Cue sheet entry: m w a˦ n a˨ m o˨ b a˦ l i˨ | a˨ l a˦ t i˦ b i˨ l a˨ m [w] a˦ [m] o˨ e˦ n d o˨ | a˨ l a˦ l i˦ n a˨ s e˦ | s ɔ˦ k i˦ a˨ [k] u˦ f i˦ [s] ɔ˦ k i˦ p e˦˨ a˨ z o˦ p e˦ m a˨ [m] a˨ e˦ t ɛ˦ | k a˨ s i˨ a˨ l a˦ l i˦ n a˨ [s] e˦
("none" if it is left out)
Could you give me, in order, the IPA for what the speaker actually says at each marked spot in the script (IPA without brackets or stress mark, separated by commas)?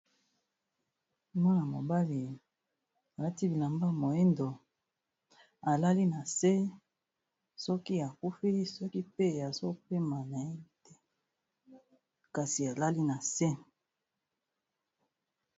b, m, k, s, n, s